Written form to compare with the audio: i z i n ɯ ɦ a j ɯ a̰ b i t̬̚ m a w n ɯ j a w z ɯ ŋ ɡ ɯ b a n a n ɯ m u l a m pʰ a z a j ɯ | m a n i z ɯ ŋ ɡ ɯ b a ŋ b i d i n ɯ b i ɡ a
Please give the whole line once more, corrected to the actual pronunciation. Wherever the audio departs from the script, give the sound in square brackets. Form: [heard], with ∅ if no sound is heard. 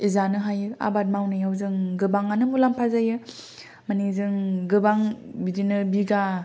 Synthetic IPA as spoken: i z [a] n ɯ ɦ a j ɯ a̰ b [a] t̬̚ m a w n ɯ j a w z ɯ ŋ ɡ ɯ b a [ŋ] a n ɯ m u l a m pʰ a z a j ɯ | m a n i z ɯ ŋ ɡ ɯ b a ŋ b i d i n ɯ b i ɡ a